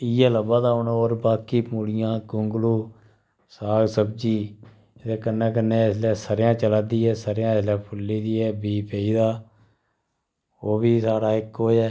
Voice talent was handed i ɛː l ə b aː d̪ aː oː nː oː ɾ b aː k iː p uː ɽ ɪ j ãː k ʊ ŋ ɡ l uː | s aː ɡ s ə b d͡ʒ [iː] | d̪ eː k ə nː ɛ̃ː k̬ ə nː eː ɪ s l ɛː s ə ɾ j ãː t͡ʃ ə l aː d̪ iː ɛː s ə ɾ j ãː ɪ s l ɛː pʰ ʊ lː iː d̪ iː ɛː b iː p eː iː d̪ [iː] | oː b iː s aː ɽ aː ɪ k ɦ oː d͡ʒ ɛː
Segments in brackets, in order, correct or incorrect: correct, incorrect: aː

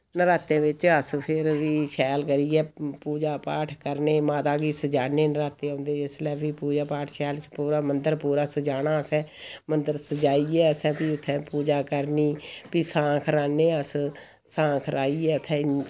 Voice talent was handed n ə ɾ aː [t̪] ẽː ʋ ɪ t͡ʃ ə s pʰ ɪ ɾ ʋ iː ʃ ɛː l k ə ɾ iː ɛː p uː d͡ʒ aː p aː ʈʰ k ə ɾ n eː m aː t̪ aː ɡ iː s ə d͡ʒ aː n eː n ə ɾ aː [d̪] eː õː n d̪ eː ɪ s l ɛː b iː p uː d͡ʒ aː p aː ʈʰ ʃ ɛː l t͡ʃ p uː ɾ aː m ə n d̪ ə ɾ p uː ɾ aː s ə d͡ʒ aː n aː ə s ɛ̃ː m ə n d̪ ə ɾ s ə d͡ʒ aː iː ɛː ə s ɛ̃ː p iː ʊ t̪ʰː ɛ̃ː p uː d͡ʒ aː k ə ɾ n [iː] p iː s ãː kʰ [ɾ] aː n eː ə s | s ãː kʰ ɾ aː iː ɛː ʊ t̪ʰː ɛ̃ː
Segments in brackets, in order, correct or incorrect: correct, incorrect: t̪, correct, correct

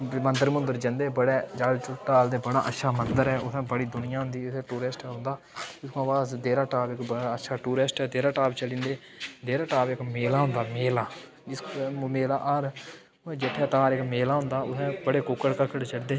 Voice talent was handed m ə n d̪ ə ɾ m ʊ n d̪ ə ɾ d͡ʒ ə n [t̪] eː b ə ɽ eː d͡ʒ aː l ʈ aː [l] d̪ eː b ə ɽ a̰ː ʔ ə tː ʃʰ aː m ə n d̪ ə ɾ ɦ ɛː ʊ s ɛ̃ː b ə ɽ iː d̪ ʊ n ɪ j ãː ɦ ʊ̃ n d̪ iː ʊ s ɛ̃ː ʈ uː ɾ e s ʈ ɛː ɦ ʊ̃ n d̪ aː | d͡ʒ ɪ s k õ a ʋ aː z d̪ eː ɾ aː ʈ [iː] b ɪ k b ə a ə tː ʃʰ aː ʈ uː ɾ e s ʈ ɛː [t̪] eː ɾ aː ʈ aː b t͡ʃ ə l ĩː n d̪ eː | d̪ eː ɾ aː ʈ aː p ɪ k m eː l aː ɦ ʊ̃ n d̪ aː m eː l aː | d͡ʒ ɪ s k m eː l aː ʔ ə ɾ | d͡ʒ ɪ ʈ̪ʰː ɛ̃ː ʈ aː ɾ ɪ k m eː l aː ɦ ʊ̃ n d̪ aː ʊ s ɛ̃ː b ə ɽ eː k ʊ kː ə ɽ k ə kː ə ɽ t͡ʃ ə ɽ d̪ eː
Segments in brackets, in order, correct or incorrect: incorrect: d̪, correct, incorrect: aː, incorrect: d̪

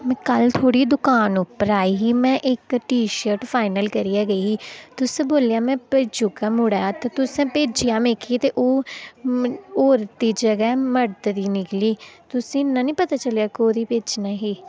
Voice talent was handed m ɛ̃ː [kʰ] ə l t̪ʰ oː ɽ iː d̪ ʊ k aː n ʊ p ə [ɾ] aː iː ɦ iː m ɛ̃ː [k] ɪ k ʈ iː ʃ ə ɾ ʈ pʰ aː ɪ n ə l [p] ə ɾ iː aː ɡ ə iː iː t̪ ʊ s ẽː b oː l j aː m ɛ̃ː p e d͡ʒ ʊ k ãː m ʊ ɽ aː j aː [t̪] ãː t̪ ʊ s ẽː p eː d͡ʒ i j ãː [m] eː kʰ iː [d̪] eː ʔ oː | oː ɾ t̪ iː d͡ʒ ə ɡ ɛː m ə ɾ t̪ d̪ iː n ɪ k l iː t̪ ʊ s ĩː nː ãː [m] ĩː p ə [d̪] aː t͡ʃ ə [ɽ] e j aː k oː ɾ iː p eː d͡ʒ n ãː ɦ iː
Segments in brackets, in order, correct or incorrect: incorrect: k, correct, incorrect: ʔ, incorrect: k, correct, correct, incorrect: t̪, incorrect: n, incorrect: t̪, incorrect: l

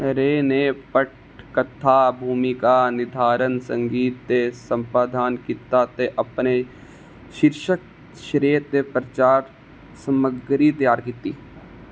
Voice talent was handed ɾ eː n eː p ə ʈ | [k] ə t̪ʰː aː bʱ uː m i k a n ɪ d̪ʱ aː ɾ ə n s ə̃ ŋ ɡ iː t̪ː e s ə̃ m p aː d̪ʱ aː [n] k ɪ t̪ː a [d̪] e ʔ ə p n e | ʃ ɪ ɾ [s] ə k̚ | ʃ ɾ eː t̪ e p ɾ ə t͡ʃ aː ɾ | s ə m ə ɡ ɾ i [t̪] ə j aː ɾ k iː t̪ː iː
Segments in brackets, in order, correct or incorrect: correct, correct, incorrect: t̪, incorrect: ʃ, correct

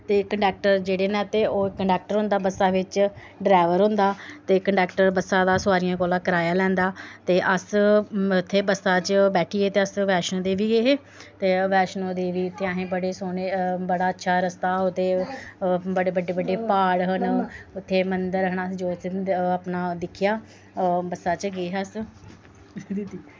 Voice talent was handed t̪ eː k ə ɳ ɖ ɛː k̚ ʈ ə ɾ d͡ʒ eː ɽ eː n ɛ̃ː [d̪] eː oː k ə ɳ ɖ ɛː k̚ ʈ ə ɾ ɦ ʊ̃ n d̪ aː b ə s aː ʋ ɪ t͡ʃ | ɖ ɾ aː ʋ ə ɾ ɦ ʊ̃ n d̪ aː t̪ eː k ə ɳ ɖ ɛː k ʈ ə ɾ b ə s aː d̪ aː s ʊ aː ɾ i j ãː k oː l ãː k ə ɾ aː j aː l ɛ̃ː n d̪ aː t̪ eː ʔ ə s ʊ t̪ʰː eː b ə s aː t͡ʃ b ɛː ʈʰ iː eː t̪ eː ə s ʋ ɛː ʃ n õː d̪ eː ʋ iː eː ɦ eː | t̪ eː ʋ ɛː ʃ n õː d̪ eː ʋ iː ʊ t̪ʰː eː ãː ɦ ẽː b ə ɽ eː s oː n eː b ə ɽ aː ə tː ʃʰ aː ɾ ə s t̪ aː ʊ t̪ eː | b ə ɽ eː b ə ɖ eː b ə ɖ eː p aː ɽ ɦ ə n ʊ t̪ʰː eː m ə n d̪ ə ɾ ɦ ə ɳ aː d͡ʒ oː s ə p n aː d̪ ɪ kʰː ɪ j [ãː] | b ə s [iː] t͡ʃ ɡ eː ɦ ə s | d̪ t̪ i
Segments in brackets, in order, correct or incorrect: incorrect: t̪, incorrect: aː, incorrect: aː

